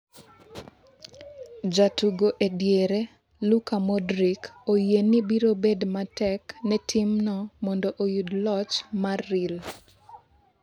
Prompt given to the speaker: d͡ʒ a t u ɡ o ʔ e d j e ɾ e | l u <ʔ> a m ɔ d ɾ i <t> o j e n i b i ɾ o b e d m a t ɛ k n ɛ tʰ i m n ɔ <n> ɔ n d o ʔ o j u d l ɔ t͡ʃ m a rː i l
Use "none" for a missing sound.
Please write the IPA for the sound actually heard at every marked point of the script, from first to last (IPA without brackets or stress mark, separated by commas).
k, k, m